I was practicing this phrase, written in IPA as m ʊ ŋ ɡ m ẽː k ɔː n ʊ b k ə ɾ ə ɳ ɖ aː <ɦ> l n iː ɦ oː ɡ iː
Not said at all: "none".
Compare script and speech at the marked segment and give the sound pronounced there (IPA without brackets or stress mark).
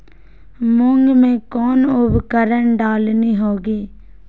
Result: none